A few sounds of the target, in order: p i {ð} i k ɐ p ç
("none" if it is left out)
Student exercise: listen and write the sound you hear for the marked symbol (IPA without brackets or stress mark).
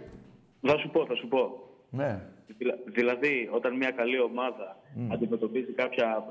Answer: z